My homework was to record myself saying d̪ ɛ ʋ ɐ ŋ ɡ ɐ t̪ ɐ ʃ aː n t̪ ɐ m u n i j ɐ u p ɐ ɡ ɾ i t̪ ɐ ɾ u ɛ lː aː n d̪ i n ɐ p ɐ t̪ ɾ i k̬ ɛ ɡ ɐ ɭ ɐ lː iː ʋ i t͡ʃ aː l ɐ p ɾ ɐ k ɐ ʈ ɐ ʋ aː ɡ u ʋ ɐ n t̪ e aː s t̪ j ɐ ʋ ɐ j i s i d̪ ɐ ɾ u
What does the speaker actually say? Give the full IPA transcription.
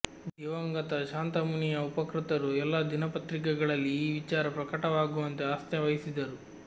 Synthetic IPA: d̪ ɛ ʋ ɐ ŋ ɡ ɐ t̪ ɐ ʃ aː n t̪ ɐ m u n i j ɐ u p ɐ k ɾ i t̪ ɐ ɾ u ɛ lː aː d̪ i n ɐ p ɐ t̪ ɾ i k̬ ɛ ɡ ɐ ɭ ɐ lː iː ʋ i t͡ʃ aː ɾ ɐ p ɾ ɐ k ɐ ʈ ɐ ʋ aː ɡ u ʋ ɐ n t̪ e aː s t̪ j ɐ ʋ ɐ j i s i d̪ ɐ ɾ u